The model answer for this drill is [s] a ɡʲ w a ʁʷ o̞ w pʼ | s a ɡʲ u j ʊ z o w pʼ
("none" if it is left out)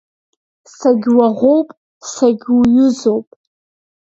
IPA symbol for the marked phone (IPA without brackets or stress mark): s